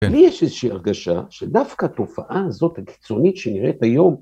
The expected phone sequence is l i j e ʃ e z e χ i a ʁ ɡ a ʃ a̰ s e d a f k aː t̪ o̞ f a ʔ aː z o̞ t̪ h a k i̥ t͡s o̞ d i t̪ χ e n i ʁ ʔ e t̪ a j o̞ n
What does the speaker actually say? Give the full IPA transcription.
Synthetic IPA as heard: l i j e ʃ e z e ʃ i a ʁ ɡ a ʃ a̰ ʃ e d a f k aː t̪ o̞ f a ʔ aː z o̞ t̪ h a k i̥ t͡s o̞ n i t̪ ʃ e n i ʁ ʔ e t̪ a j o̞ m